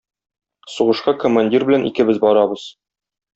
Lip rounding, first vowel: rounded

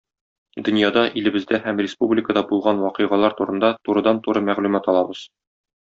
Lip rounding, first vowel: rounded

